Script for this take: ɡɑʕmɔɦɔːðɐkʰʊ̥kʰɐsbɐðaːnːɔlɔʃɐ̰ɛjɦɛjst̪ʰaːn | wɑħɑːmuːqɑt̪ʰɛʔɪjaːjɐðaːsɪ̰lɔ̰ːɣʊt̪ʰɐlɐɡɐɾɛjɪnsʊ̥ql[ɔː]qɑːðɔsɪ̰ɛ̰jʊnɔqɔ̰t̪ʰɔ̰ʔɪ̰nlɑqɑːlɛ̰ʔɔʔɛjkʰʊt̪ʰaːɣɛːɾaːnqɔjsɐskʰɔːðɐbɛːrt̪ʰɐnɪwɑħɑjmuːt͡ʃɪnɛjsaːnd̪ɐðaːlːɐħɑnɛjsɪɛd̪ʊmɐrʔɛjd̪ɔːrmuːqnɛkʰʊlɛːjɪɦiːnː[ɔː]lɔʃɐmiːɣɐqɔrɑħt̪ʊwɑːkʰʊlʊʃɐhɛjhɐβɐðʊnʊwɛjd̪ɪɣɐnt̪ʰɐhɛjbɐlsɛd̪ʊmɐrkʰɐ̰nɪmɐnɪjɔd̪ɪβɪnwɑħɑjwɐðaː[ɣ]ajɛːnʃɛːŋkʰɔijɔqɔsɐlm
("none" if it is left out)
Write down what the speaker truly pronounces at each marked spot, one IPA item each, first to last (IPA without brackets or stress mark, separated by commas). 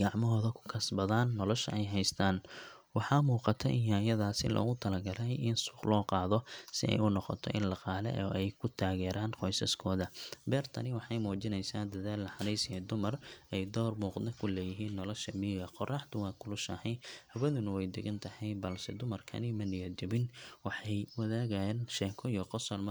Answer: ɔː, ɔ, ɣ